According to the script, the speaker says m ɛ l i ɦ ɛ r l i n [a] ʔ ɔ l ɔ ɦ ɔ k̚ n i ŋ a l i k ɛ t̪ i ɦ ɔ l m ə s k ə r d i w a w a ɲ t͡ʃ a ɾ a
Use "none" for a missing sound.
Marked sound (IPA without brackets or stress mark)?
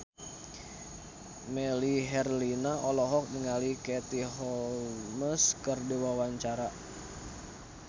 a